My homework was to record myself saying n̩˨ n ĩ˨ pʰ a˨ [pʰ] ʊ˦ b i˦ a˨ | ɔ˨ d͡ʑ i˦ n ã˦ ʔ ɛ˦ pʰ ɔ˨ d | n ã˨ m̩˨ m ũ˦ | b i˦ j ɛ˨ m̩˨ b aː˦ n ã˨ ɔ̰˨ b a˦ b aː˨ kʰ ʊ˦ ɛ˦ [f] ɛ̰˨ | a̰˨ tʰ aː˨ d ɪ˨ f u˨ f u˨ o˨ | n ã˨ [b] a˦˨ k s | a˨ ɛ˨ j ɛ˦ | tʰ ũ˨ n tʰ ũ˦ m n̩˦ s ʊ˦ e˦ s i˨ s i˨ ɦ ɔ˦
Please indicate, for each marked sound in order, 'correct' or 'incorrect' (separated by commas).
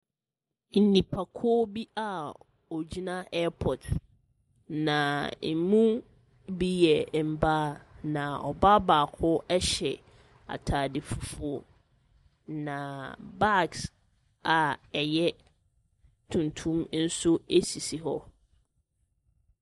incorrect, incorrect, correct